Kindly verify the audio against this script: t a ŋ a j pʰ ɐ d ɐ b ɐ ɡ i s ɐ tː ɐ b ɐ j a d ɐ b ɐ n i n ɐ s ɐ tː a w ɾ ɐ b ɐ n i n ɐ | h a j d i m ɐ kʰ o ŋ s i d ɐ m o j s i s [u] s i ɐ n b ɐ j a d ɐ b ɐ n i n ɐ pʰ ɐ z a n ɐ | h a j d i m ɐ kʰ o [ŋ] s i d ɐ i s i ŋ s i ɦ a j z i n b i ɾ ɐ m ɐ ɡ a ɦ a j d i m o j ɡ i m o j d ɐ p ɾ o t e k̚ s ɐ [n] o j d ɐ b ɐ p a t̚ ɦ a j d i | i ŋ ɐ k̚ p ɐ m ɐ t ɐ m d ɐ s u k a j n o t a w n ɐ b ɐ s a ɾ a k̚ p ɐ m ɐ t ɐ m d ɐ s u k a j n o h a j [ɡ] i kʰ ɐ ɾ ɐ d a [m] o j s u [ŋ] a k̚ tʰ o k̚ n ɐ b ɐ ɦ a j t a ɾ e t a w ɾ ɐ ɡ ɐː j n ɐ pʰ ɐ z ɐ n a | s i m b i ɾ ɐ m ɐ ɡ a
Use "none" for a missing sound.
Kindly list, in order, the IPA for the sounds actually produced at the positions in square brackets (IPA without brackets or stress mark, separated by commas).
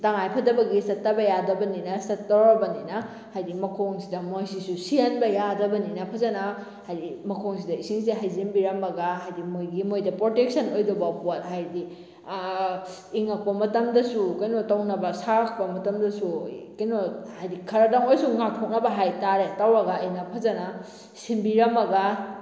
u, ŋ, n, d, ŋ, ŋ